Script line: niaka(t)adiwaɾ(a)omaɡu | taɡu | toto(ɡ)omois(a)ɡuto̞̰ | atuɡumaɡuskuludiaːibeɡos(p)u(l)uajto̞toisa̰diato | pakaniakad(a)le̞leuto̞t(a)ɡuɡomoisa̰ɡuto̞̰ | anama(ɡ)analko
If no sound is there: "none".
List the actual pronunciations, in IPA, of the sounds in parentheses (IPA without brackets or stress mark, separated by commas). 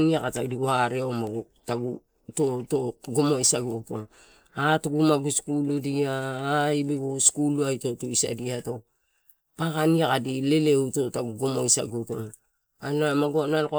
t, e, ɡ, a, k, l, i, a, ɡ